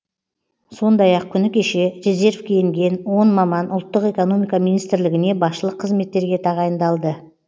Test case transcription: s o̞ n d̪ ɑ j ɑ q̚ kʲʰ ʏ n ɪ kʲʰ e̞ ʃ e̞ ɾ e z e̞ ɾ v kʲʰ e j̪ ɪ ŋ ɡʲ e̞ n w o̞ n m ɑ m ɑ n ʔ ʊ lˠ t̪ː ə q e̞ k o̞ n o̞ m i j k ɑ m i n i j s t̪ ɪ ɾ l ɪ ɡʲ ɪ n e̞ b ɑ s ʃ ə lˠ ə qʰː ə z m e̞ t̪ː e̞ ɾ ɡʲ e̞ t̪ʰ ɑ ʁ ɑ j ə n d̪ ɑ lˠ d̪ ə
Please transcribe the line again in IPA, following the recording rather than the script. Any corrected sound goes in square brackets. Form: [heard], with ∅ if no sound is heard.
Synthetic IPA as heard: s o̞ n d̪ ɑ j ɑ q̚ kʲʰ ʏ n ɪ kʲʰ e̞ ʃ e̞ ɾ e z e̞ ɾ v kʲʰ e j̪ ɪ ŋ ɡʲ e̞ n w o̞ n m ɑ m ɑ n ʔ ʊ lˠ t̪ː ə q e̞ k o̞ n o̞ m i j k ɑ m i n i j s t̪ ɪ ɾ l ɪ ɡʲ ɪ n e̞ b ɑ s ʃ ə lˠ ə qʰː ə z m e̞ t̪ː e̞ ɾ ɡʲ e̞ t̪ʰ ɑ ʁ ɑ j ə n d̪ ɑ lˠ d̪ ə

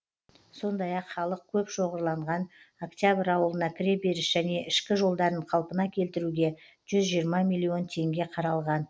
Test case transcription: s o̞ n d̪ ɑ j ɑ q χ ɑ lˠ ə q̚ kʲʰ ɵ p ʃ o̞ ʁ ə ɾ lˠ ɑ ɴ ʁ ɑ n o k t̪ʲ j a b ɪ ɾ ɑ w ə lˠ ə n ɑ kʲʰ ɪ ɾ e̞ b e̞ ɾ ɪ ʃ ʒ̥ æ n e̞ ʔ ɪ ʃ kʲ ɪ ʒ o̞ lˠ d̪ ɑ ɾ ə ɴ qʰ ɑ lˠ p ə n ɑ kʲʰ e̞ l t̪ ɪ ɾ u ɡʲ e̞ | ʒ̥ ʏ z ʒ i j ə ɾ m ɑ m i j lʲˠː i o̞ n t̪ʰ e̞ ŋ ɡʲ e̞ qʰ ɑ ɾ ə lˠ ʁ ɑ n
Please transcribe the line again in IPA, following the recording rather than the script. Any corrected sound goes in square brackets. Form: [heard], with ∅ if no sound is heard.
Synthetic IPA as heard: s o̞ n d̪ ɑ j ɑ q χ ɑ lˠ ə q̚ kʲʰ ɵ p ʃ o̞ ʁ ə ɾ lˠ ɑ ɴ ʁ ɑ n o k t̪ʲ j a b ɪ ɾ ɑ w ə lˠ ə n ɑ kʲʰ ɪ ɾ e̞ b e̞ ɾ ɪ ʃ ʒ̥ æ n e̞ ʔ ɪ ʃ kʲ ɪ ʒ o̞ lˠ d̪ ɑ ɾ ə ɴ qʰ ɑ lˠ p ə n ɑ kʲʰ e̞ l t̪ ɪ ɾ u ɡʲ e̞ | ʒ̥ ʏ z ʒ i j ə ɾ m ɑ m i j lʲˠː i o̞ n t̪ʰ e̞ ŋ ɡʲ e̞ qʰ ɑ ɾ [ɑ] lˠ ʁ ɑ n

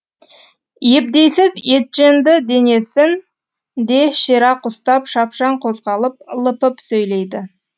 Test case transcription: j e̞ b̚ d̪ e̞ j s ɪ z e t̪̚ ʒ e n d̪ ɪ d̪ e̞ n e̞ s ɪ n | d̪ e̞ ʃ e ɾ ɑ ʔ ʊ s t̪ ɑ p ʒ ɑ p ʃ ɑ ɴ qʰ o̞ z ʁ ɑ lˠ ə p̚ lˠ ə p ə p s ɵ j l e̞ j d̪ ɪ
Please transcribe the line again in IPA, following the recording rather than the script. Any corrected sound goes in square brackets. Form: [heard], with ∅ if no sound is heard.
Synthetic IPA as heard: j e̞ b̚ d̪ e̞ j s ɪ z e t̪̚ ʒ e n d̪ ɪ d̪ e̞ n e̞ s ɪ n | d̪ e̞ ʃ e ɾ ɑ [q] ʊ s t̪ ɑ p [ʃ] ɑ p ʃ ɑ ɴ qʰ o̞ z ʁ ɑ lˠ ə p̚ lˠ ə p ə p s ɵ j l e̞ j d̪ ɪ

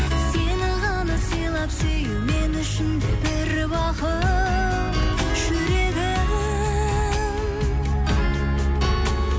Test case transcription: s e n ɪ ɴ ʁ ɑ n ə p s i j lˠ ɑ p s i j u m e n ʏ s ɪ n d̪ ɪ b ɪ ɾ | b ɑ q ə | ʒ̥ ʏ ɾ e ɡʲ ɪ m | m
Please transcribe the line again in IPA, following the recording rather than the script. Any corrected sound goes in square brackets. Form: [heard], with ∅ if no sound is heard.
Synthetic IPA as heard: s e n ɪ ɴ ʁ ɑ n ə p s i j lˠ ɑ p s [e] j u m e n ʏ [ʃ] ɪ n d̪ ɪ b ɪ ɾ | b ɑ q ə | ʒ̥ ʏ ɾ e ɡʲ ɪ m | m

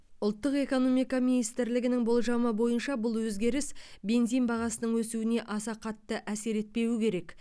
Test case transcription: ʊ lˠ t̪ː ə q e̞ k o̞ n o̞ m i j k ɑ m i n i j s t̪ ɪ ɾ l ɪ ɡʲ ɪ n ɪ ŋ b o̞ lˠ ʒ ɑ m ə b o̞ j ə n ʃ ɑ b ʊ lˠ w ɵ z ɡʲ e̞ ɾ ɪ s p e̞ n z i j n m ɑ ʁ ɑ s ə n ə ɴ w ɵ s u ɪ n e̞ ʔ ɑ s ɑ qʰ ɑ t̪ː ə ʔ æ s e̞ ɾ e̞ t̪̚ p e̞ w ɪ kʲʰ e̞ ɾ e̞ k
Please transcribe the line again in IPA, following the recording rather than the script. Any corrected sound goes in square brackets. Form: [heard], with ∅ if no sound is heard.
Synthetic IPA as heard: ʊ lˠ t̪ː ə q e̞ k o̞ n o̞ m i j k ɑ m i n i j s t̪ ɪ ɾ l ɪ ɡʲ ɪ n ɪ ŋ b o̞ lˠ ʒ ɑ m ə b o̞ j ə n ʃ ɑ b ʊ lˠ w ɵ z ɡʲ e̞ ɾ ɪ s [b] e̞ n z i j n [b] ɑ ʁ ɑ s ə n ə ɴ w ɵ s u ɪ n e̞ ʔ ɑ s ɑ qʰ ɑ t̪ː ə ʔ æ s e̞ ɾ e̞ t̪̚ p e̞ w ɪ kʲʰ e̞ ɾ e̞ k

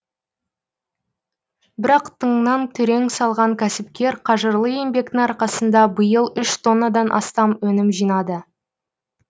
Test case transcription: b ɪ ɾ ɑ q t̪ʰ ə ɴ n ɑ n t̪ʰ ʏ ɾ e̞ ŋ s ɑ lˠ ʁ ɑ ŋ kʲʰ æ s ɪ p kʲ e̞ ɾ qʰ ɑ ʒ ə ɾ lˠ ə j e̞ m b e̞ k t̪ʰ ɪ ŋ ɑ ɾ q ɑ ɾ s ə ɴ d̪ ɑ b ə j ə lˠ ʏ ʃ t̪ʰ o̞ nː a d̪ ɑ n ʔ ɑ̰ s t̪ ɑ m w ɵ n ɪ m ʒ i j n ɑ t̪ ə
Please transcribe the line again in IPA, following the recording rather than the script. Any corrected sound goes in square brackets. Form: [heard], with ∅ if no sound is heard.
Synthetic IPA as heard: b ɪ ɾ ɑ q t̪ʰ ə ɴ n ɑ n t̪ʰ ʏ ɾ e̞ ŋ s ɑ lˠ ʁ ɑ ŋ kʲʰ æ s ɪ p kʲ e̞ ɾ qʰ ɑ ʒ ə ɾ lˠ ə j e̞ m b e̞ k [t̪] ɪ ŋ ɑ ɾ q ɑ [∅] s ə [n] d̪ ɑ b ə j ə lˠ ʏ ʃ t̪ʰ o̞ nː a d̪ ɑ n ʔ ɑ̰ s t̪ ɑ m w ɵ n ɪ m ʒ i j n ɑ [d̪] ə

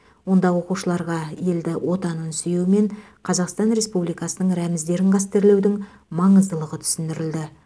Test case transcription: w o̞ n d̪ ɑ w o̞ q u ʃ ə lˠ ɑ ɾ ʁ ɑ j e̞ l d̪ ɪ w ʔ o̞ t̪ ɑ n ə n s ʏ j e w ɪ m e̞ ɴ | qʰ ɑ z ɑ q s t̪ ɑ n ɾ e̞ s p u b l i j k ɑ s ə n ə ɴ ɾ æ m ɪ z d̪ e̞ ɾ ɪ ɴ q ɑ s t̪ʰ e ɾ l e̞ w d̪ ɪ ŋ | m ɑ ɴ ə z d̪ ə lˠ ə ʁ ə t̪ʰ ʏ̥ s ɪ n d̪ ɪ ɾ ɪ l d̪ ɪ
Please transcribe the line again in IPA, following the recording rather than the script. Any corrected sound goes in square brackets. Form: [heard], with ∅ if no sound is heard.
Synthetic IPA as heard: w o̞ n d̪ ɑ w o̞ q u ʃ ə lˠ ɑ ɾ ʁ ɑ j e̞ l d̪ ɪ w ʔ o̞ t̪ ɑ n ə n s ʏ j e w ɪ m e̞ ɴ | qʰ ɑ z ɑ q s t̪ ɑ n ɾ e̞ s p u b l i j k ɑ s ə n ə ɴ ɾ æ m ɪ z d̪ e̞ ɾ ɪ ɴ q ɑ s [t̪] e ɾ l e̞ w d̪ ɪ ŋ | m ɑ ɴ ə z d̪ ə lˠ ə ʁ ə t̪ʰ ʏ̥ s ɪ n d̪ ɪ ɾ ɪ l d̪ ɪ

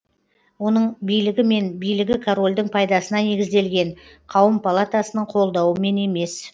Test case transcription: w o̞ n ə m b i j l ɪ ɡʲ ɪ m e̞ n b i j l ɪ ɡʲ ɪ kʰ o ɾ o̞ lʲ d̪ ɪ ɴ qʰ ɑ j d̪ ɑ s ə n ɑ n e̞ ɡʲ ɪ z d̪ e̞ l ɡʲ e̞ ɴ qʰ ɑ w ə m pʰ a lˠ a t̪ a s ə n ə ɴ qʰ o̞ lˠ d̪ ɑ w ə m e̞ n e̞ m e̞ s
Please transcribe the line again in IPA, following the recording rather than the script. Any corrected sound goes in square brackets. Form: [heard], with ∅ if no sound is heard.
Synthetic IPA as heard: w o̞ n ə [ɴ] b i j l ɪ ɡʲ ɪ m e̞ n b i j l ɪ ɡʲ ɪ kʰ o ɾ o̞ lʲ d̪ ɪ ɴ [pʰ] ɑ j d̪ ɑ s ə n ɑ n e̞ ɡʲ ɪ z d̪ e̞ l ɡʲ e̞ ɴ qʰ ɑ w ə m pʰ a lˠ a t̪ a s ə n ə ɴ qʰ o̞ lˠ d̪ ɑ w ə m e̞ n e̞ m e̞ s

